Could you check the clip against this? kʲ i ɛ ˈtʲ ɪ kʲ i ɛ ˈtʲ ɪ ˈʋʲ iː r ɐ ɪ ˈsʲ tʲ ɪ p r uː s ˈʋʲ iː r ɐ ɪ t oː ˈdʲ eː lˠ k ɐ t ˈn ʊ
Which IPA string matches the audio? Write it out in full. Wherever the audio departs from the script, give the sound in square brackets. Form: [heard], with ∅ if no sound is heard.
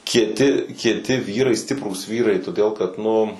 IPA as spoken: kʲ i ɛ ˈtʲ ɪ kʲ i ɛ ˈtʲ ɪ ˈʋʲ iː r ɐ ɪ ˈsʲ tʲ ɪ p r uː s ˈʋʲ iː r ɐ ɪ t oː ˈdʲ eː lˠ k ɐ t ˈn ʊ